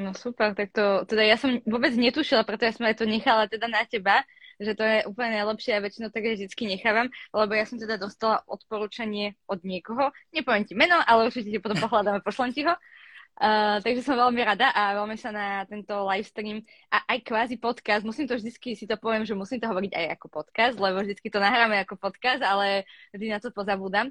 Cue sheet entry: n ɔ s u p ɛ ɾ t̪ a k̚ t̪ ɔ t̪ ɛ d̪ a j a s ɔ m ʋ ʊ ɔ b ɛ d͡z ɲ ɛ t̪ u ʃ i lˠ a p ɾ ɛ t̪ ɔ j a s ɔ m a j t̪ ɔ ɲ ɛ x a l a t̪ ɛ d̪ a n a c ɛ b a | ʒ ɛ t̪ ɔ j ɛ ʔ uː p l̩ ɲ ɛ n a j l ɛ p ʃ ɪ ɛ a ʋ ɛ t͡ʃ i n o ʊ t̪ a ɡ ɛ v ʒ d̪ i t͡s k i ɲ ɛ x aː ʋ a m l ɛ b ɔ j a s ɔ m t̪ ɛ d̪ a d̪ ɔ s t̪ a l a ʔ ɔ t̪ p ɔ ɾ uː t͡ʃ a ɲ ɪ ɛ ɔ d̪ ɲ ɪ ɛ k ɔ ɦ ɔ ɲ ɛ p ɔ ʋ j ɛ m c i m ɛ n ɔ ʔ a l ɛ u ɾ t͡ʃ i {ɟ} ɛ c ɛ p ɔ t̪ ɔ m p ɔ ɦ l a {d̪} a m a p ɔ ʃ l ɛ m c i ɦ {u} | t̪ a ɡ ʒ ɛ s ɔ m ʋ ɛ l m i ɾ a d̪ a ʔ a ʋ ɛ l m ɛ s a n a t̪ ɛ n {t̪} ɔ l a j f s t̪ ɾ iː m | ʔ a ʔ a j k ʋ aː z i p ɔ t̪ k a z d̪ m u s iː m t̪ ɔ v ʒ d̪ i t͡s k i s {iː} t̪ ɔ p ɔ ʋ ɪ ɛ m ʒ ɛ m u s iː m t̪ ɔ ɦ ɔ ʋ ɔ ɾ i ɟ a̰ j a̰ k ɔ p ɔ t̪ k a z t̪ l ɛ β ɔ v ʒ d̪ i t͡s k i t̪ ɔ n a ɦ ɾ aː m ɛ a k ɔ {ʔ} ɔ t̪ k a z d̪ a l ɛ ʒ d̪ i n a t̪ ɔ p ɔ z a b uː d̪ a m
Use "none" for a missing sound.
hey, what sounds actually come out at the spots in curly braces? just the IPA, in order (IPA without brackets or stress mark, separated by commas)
c, d̪, ɔ, t̪, i, p